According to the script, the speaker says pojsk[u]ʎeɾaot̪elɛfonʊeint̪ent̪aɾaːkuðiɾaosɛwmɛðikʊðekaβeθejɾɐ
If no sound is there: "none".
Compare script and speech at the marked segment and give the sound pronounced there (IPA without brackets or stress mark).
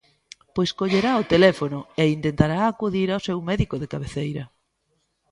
o